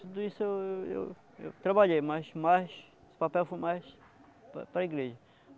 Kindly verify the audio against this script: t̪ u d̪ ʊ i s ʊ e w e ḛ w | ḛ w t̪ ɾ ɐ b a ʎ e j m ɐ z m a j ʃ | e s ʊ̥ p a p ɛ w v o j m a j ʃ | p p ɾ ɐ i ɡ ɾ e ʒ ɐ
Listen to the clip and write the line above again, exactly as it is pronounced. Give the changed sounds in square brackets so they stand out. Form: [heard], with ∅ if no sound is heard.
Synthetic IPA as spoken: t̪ u d̪ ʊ i s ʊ e w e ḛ w | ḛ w t̪ ɾ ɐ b a ʎ e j m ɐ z m a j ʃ | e s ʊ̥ p a p ɛ w [f] o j m a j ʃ | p p ɾ ɐ i ɡ ɾ e ʒ ɐ